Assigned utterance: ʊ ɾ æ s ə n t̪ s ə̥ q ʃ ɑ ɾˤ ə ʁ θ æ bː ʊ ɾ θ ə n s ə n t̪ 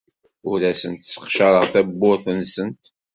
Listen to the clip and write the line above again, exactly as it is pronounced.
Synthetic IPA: ʊ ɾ æ s ə n t̪ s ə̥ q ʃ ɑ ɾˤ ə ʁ θ æ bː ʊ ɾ θ ə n s ə n t̪